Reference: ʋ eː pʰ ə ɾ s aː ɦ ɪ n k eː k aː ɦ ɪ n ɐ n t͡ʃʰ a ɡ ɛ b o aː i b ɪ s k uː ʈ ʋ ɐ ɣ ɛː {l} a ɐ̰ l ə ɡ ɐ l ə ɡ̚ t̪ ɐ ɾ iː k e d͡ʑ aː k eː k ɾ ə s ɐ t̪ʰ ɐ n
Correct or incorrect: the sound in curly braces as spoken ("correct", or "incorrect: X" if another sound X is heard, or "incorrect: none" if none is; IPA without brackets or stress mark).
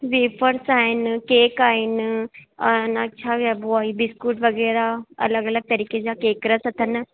incorrect: ɾ